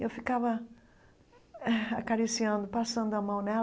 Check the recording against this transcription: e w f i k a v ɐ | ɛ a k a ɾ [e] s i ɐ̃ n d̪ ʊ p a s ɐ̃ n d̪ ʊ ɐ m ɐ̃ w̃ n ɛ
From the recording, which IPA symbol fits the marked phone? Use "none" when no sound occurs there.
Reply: i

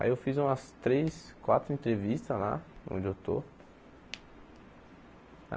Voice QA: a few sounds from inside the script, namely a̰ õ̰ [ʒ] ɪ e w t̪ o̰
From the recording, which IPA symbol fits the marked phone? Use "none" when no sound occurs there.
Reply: d͡ʒ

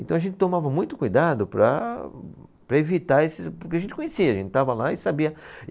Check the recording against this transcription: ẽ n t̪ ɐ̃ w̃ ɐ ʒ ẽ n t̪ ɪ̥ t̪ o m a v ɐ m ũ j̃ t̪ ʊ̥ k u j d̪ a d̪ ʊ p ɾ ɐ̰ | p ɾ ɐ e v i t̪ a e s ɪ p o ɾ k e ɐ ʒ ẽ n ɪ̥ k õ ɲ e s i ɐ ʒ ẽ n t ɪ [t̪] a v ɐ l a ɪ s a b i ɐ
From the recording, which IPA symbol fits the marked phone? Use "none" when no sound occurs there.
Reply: t̪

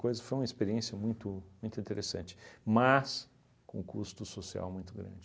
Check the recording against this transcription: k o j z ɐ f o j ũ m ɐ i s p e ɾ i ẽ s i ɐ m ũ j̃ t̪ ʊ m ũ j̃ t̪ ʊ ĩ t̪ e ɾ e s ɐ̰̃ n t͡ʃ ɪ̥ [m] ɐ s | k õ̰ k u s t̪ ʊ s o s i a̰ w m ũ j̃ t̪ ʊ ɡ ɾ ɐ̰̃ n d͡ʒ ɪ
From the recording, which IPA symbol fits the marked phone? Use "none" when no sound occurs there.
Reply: m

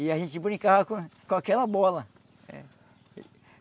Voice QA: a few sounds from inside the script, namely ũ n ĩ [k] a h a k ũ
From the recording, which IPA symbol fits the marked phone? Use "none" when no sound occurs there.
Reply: k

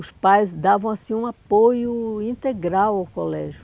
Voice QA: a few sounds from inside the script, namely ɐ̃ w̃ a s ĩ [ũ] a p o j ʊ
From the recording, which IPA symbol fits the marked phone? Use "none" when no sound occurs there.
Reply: ũ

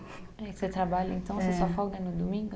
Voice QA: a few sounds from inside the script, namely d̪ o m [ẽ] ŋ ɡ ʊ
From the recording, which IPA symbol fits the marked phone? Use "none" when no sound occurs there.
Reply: ĩ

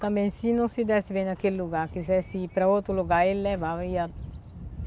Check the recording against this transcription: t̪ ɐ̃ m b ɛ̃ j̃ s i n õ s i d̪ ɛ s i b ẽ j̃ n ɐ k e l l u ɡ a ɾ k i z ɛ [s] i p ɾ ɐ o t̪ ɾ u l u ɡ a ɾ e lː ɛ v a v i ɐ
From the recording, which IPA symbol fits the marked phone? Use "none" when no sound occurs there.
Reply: s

